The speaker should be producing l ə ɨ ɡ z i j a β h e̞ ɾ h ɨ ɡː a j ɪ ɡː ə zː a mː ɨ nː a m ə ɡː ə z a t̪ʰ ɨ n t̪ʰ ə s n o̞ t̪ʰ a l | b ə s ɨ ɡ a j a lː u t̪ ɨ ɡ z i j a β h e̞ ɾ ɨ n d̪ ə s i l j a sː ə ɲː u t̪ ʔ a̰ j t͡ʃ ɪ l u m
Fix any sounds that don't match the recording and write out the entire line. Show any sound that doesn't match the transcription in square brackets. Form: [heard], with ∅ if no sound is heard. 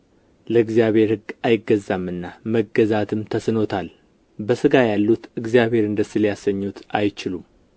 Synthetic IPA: l ə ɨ ɡ z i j a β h e̞ ɾ h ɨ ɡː a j ɪ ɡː ə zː a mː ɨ nː a m ə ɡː ə z a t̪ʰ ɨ [m] t̪ʰ ə s n o̞ t̪ʰ a l | b ə s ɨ ɡ a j a lː u t̪ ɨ ɡ z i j a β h e̞ ɾ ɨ n d̪ ə s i l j a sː ə ɲː u t̪ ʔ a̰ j t͡ʃ ɪ l u m

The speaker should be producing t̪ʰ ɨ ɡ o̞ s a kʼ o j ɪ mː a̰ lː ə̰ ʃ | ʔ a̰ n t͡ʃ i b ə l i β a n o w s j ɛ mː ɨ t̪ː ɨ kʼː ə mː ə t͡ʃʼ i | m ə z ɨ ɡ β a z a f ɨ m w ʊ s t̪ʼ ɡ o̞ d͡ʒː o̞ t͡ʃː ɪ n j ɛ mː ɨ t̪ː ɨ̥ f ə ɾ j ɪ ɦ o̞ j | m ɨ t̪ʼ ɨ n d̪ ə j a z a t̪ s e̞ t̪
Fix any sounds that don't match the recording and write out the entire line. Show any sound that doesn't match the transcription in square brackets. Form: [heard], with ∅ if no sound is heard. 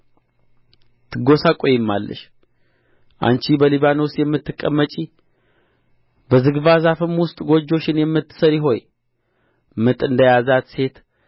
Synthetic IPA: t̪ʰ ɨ ɡ o̞ s a kʼ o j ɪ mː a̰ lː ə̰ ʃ | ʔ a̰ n t͡ʃ i b ə l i β a n o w s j ɛ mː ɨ t̪ː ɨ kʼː ə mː ə t͡ʃʼ i | [b] ə z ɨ ɡ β a z a f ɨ m w ʊ s t̪ʼ ɡ o̞ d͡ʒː o̞ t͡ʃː ɪ n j ɛ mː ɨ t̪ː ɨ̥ [s] ə ɾ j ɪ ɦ o̞ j | m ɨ t̪ʼ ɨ n d̪ ə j a z a t̪ s e̞ t̪

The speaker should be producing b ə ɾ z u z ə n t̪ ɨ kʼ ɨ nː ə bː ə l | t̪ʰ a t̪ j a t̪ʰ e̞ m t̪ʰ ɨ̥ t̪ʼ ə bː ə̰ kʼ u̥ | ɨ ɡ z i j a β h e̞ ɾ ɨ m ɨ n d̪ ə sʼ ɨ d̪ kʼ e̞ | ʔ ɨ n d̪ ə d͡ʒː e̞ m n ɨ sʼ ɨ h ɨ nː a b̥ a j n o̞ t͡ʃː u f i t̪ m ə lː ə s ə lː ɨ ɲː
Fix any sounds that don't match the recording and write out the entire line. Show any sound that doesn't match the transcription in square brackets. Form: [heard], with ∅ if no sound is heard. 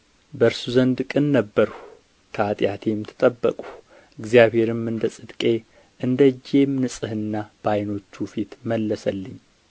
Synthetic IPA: b ə ɾ [s] u z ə n [d̪] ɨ kʼ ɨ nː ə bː ə [ɾ] | t̪ʰ a [t̪ʼ] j a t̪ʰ e̞ m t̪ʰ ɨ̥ t̪ʼ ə bː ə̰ kʼ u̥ | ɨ ɡ z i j a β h e̞ ɾ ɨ m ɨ n d̪ ə sʼ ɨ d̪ kʼ e̞ | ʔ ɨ n d̪ ə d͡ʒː e̞ m n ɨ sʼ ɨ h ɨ nː a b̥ a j n o̞ t͡ʃː u f i t̪ m ə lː ə s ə lː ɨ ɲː

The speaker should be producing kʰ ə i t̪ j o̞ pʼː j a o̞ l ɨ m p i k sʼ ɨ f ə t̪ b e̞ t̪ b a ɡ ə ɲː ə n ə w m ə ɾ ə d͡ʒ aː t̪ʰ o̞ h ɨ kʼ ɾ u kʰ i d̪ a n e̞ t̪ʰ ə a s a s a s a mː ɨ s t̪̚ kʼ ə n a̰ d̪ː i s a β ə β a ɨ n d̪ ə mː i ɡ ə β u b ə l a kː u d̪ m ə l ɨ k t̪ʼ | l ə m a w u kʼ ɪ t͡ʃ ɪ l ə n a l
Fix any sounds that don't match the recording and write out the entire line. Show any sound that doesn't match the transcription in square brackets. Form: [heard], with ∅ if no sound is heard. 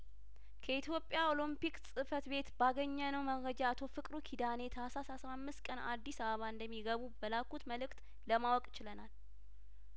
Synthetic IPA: kʰ ə i t̪ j o̞ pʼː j a o̞ l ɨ m p i k sʼ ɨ f ə t̪ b e̞ t̪ b a ɡ ə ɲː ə n ə w m ə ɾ ə d͡ʒ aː t̪ʰ o̞ [f] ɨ kʼ ɾ u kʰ i d̪ a n e̞ t̪ʰ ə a s a s a s a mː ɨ s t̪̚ kʼ ə n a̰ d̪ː i s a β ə β a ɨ n d̪ ə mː i ɡ ə β u b ə l a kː u [t̪] m ə l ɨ k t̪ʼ | l ə m a w [ɔ] kʼ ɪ t͡ʃ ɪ l ə n a l

